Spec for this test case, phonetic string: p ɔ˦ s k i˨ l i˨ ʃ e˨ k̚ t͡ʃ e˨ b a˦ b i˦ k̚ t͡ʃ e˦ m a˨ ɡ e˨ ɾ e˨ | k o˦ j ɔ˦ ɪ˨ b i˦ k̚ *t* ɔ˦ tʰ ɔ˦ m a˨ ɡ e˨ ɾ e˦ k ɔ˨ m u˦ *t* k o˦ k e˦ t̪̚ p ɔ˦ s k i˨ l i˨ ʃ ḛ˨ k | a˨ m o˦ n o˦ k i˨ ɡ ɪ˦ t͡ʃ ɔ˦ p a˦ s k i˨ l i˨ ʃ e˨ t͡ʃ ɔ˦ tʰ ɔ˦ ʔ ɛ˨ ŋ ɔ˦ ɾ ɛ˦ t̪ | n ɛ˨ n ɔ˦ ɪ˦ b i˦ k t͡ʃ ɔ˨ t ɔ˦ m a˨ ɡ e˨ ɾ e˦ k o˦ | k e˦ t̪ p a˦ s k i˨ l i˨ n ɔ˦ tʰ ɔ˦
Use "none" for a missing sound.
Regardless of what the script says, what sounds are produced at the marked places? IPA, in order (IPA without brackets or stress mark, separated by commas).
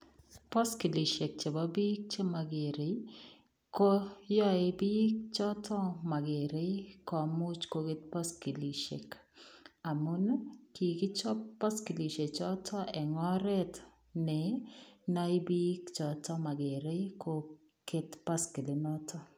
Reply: t͡ʃ, t͡ʃ